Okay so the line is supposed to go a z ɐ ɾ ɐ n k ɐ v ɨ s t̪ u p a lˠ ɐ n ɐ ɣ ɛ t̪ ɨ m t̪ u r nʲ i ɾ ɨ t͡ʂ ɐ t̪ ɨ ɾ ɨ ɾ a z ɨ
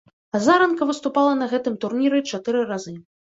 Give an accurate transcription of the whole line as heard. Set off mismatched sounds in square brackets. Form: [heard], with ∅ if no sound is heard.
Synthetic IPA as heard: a z [a] ɾ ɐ n k ɐ v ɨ s t̪ u p a lˠ ɐ n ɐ ɣ ɛ t̪ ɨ m t̪ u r nʲ i ɾ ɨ t͡ʂ [a] t̪ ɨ ɾ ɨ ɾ a z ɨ